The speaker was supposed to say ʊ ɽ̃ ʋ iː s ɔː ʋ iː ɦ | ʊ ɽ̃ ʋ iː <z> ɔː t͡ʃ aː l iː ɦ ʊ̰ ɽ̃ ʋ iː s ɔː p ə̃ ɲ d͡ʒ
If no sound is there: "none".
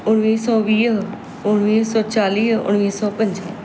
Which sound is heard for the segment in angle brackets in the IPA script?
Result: s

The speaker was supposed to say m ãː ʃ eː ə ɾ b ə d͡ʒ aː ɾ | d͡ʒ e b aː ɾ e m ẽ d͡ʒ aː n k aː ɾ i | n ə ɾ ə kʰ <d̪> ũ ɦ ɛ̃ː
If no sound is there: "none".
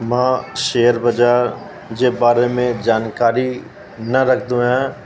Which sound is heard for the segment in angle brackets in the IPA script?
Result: d̪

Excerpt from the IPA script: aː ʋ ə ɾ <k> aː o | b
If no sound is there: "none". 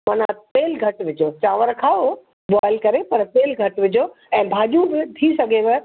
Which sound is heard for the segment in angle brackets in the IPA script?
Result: kʰ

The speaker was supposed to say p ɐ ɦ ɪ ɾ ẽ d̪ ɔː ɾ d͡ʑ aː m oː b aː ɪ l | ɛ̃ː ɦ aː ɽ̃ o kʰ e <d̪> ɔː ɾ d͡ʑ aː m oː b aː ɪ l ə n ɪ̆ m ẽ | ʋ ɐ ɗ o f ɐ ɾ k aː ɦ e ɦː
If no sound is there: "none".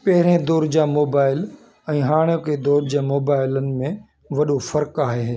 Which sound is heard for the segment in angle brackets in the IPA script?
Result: d̪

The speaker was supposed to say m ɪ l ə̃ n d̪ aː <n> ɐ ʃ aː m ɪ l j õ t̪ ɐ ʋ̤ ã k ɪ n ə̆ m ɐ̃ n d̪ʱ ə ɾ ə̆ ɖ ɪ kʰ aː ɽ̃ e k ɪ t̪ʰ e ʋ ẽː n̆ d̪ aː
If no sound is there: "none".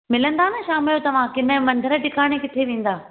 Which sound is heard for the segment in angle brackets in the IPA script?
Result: n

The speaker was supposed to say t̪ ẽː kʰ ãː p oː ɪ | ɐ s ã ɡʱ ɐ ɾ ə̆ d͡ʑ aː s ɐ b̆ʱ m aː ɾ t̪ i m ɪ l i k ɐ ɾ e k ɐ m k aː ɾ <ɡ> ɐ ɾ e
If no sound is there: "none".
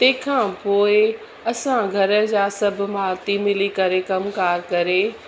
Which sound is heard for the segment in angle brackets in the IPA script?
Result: k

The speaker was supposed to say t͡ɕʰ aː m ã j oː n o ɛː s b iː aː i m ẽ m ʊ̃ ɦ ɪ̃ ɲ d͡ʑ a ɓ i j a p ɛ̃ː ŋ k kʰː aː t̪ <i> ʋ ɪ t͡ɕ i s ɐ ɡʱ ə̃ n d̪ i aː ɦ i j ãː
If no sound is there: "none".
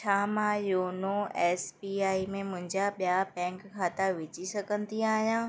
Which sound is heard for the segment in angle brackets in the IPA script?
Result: a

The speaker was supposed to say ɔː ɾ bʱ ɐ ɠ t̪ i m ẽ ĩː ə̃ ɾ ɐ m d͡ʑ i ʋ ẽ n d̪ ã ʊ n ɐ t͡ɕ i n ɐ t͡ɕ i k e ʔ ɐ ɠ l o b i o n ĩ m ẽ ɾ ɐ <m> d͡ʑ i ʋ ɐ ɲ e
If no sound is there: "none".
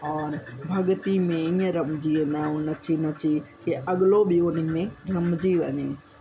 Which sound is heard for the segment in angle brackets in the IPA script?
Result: m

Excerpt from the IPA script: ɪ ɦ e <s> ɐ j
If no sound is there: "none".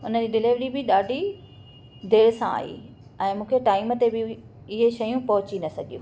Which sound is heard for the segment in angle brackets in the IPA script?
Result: ʃ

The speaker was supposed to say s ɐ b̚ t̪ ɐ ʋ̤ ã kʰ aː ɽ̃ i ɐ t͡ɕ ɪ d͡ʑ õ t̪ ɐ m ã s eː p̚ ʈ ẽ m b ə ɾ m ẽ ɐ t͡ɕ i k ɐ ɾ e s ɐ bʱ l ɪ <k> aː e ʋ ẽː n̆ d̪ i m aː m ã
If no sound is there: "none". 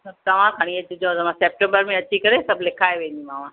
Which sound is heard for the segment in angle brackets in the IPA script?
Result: kʰ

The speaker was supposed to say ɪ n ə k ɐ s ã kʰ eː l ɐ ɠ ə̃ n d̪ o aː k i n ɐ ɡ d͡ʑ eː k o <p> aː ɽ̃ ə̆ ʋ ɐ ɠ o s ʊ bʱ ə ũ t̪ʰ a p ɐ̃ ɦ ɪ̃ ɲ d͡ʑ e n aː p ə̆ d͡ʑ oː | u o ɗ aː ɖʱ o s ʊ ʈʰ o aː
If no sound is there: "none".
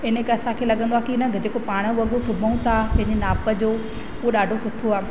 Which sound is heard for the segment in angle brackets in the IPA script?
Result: p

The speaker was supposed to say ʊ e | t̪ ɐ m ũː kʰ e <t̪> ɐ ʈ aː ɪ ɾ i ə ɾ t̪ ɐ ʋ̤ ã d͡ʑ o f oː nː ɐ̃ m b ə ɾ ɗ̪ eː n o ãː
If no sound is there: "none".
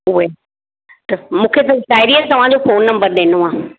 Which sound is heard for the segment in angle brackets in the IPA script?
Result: t̪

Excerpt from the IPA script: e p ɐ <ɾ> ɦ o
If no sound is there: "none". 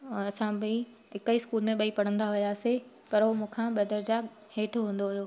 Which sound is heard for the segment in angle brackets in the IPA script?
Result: ɾ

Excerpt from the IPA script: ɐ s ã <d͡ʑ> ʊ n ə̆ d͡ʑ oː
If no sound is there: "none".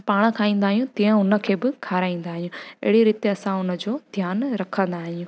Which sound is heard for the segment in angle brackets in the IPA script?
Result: none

